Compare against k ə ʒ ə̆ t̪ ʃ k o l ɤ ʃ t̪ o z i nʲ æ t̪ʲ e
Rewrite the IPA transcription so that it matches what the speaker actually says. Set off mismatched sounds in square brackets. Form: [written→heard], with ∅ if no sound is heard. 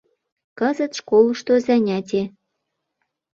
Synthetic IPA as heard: k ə [ʒ→z] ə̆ t̪ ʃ k o l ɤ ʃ t̪ o z [i→æ] nʲ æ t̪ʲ e